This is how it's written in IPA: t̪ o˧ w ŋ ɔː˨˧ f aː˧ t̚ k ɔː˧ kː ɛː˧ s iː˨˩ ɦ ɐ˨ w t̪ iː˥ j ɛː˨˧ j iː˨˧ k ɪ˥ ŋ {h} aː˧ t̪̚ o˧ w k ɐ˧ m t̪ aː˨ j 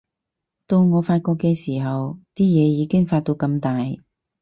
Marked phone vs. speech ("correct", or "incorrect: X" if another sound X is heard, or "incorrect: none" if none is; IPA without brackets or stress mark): incorrect: f